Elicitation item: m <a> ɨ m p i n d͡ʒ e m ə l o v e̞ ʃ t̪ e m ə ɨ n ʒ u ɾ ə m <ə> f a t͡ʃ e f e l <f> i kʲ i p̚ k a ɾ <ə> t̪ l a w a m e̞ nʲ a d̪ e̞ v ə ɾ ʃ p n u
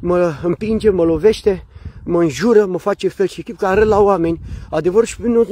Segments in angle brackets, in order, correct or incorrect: incorrect: ə, correct, incorrect: ʃ, correct

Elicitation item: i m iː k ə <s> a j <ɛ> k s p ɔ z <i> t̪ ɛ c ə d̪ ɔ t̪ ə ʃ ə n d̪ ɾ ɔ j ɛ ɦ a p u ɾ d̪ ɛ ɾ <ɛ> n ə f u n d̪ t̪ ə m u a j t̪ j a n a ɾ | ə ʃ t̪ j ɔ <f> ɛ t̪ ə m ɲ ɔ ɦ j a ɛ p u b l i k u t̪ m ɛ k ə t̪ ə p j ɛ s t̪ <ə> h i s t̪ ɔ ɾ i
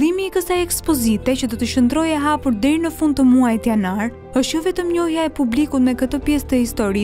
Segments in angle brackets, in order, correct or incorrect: correct, correct, correct, incorrect: i, incorrect: v, correct

